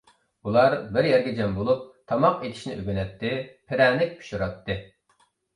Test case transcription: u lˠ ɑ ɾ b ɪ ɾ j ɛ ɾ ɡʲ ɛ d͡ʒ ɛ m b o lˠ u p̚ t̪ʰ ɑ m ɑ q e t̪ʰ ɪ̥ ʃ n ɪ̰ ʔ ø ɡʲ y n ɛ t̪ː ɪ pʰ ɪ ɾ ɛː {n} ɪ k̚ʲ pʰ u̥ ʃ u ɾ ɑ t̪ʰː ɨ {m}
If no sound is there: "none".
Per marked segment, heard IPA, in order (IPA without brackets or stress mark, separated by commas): n, none